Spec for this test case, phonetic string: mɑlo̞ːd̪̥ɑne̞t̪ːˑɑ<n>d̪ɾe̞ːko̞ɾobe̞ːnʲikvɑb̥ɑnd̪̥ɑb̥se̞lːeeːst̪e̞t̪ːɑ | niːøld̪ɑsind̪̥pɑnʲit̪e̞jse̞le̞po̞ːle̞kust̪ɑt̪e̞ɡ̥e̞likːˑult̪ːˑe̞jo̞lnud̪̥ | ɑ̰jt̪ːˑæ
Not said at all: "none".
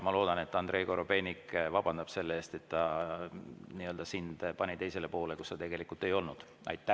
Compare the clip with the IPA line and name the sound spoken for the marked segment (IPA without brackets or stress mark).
n